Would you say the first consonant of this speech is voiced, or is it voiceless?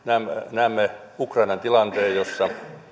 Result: voiced